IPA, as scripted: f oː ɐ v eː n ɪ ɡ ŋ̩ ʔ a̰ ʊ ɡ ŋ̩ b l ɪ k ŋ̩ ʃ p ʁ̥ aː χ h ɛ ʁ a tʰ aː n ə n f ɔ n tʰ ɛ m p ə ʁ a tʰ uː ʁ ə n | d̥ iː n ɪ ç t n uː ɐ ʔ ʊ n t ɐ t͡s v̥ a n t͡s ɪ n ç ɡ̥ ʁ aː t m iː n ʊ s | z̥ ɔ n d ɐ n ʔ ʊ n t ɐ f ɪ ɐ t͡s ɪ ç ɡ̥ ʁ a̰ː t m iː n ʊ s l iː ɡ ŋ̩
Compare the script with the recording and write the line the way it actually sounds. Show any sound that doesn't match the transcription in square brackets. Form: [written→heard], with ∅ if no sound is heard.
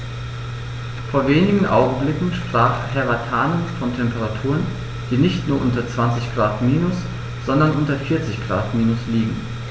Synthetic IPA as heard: f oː ɐ v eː n ɪ ɡ ŋ̩ ʔ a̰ ʊ ɡ ŋ̩ b l ɪ k ŋ̩ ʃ p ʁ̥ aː χ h ɛ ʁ a tʰ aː n ə n f ɔ n tʰ ɛ m p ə ʁ a tʰ uː ʁ ə n | d̥ iː n ɪ ç t n uː ɐ ʔ ʊ n t ɐ t͡s v̥ a n t͡s ɪ [n→∅] ç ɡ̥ ʁ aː t m iː n ʊ s | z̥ ɔ n d ɐ n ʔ ʊ n t ɐ f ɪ ɐ t͡s ɪ ç ɡ̥ ʁ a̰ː t m iː n ʊ s l iː ɡ ŋ̩